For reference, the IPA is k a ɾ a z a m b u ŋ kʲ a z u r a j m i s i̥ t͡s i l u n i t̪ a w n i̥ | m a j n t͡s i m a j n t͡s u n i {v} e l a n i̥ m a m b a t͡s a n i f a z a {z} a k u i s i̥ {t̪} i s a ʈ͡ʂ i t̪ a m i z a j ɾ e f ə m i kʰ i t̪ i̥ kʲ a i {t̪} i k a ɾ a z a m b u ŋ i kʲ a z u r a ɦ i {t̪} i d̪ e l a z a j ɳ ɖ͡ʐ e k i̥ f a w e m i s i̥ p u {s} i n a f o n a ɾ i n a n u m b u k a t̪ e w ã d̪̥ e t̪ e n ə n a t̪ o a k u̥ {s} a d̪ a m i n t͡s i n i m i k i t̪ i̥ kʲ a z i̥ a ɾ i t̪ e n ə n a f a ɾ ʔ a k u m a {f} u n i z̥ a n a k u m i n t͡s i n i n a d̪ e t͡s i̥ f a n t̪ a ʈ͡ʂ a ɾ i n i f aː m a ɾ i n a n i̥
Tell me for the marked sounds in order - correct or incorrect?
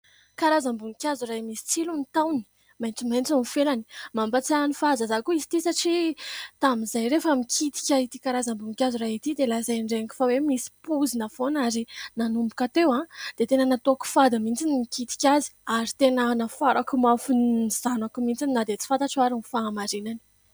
incorrect, correct, correct, correct, correct, incorrect, incorrect, correct

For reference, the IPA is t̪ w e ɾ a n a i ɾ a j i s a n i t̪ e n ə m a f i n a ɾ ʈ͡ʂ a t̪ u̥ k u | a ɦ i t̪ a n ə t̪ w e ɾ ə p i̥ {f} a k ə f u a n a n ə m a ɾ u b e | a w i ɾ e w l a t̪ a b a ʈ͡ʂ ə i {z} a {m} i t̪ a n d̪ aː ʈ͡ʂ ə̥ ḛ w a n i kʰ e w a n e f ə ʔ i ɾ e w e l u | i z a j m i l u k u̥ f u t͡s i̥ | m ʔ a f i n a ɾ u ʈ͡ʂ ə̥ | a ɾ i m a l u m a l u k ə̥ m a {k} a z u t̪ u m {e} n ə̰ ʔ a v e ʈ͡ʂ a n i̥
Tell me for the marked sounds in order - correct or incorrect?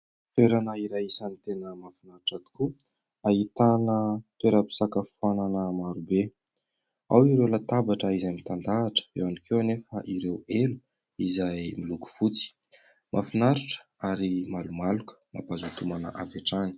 incorrect, correct, correct, incorrect, incorrect

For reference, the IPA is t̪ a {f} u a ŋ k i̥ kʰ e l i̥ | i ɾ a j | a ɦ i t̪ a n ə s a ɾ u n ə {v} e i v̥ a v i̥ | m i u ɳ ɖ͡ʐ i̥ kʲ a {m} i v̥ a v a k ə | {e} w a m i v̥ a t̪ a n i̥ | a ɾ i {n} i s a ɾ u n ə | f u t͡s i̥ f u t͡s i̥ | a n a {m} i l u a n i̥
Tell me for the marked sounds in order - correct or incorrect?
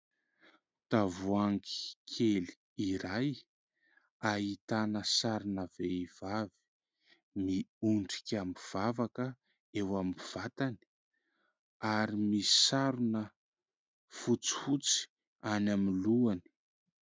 incorrect, correct, correct, correct, incorrect, correct

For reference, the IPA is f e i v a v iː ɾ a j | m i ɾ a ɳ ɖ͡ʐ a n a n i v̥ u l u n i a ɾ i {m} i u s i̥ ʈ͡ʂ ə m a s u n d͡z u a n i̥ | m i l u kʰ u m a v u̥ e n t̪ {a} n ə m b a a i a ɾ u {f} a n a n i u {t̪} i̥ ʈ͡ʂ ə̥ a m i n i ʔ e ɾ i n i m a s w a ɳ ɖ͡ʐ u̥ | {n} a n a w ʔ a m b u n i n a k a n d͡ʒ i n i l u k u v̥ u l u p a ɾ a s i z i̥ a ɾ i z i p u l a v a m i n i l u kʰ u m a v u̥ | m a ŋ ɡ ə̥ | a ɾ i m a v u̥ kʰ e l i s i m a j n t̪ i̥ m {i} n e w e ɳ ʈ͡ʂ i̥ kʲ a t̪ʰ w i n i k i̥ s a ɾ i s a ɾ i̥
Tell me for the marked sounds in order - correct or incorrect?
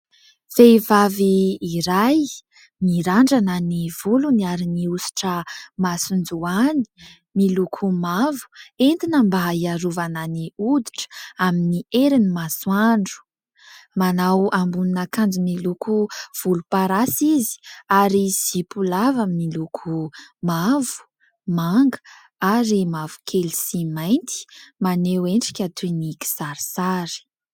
incorrect, incorrect, incorrect, incorrect, incorrect, incorrect

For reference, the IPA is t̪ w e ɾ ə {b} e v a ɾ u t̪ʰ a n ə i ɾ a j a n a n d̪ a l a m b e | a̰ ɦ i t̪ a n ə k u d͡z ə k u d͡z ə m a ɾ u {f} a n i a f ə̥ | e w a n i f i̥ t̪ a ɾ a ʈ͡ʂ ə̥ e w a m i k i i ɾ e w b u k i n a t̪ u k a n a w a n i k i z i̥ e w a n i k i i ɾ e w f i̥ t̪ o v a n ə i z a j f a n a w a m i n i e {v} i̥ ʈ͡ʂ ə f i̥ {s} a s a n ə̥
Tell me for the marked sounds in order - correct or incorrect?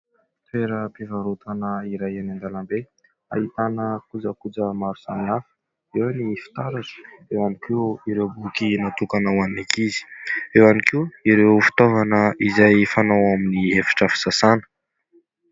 incorrect, incorrect, incorrect, correct

